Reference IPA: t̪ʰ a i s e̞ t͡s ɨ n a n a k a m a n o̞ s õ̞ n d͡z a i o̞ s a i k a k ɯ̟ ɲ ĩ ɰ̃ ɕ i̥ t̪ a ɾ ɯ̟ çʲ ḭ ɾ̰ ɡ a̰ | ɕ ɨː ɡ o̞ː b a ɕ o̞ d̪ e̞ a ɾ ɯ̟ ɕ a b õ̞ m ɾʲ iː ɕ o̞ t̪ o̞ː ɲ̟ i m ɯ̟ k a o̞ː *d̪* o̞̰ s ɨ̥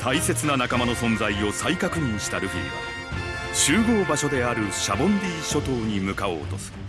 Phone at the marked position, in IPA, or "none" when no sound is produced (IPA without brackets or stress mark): t̪